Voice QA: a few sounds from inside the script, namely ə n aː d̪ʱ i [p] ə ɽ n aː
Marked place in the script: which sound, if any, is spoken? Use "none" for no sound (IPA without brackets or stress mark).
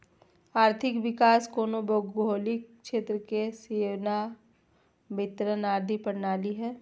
p